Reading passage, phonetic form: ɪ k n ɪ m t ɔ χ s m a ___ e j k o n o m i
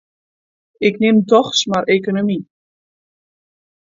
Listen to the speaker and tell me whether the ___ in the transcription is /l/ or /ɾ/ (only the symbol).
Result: ɾ